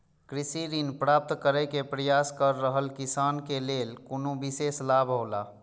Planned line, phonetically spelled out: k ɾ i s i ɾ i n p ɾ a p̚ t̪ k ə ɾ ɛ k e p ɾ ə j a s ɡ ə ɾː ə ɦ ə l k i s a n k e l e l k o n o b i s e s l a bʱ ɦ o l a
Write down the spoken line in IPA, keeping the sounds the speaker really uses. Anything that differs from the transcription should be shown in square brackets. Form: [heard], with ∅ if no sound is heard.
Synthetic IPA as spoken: k ɾ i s i ɾ i n p ɾ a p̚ t̪ k ə ɾ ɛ k e p ɾ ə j a s [k] ə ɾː ə ɦ ə l k i s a n k e l e l k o n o b i s e s l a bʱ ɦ o l a